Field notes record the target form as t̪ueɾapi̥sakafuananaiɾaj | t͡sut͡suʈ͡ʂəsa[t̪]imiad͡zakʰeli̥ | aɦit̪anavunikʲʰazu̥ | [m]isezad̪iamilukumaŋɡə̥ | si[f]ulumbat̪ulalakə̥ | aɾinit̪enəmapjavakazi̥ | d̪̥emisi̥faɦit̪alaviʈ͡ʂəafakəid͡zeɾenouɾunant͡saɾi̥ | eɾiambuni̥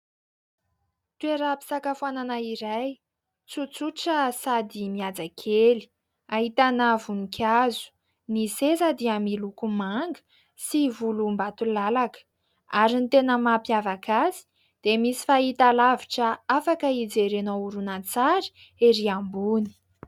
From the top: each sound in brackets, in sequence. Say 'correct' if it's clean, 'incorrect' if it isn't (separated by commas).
incorrect, incorrect, incorrect